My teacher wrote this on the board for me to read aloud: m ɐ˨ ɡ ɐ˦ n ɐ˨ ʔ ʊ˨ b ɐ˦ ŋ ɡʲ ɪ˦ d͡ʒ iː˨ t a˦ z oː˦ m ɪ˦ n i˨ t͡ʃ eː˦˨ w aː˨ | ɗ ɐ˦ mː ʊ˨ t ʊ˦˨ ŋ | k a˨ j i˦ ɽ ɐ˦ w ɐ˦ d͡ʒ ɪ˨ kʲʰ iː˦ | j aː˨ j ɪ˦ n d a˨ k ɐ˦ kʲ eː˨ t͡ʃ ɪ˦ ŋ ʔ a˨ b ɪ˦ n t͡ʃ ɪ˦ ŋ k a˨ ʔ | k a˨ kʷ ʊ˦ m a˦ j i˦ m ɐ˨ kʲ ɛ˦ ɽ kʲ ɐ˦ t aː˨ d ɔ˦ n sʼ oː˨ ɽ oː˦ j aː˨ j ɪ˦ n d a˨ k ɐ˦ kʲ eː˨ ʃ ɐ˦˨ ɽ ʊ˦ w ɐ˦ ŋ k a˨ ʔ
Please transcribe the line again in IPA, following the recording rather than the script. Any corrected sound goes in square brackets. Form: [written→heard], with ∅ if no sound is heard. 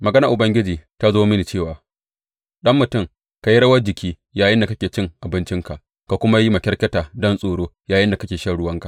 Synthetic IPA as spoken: m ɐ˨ ɡ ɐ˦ n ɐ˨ ʔ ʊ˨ b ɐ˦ ŋ ɡʲ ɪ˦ d͡ʒ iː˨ t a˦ z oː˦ m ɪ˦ n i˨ t͡ʃ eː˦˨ w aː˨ | ɗ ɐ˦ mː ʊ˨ t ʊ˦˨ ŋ | k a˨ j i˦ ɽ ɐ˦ w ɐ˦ d͡ʒ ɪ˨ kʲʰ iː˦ | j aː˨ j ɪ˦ n d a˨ k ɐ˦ kʲ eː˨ t͡ʃ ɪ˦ ŋ ʔ a˨ b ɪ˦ n t͡ʃ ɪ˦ ŋ k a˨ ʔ | k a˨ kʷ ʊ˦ m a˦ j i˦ m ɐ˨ kʲ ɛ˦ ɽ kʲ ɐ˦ t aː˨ d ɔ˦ n sʼ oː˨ ɽ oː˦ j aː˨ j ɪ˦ n d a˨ k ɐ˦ kʲ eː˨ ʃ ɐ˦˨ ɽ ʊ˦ w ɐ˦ ŋ k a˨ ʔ